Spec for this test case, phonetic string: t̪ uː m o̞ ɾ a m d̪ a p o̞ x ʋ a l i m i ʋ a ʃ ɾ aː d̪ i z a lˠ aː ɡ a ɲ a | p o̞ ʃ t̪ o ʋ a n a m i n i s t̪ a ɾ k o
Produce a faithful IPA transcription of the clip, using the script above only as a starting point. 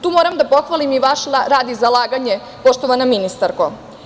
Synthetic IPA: t̪ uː m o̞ ɾ a m d̪ a p o̞ x ʋ a l i m i ʋ a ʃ ɾ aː d̪ i z a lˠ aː ɡ a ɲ e | p o̞ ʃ t̪ o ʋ a n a m i n i s t̪ a ɾ k o